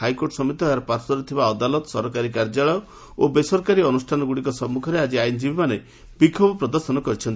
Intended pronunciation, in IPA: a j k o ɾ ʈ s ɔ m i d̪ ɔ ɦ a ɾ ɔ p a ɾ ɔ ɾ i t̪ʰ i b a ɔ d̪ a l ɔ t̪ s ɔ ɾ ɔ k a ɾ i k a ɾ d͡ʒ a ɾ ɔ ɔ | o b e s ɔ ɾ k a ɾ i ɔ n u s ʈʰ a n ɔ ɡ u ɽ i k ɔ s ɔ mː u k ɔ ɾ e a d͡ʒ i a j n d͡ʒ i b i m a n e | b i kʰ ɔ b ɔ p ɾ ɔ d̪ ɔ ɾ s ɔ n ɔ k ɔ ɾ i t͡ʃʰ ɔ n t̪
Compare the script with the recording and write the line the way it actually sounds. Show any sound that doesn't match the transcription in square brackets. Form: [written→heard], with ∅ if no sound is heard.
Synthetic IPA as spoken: a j k o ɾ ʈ s ɔ m i [d̪→t̪] ɔ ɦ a ɾ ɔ p a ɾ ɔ ɾ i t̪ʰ i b a ɔ d̪ a l ɔ t̪ s ɔ ɾ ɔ k a ɾ i k a ɾ d͡ʒ a [ɾ→ɭ] ɔ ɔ | o b e s ɔ ɾ k a ɾ i ɔ n u s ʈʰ a n ɔ ɡ u ɽ i k ɔ s ɔ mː u [k→kʰ] ɔ ɾ e a d͡ʒ i a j n d͡ʒ i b i m a n e | b i kʰ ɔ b ɔ p ɾ ɔ d̪ ɔ ɾ s ɔ n ɔ k ɔ ɾ i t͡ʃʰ ɔ n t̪